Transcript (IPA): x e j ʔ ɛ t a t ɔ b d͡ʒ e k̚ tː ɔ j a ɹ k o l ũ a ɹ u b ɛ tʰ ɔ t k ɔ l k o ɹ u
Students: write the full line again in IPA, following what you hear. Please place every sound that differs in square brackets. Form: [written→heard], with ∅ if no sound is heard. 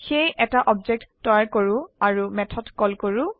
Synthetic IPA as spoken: x e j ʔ ɛ t a [t→ʔ] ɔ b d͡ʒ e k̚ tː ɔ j a ɹ k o [l→ɹ] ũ a ɹ u [b→m] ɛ tʰ ɔ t k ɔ l k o ɹ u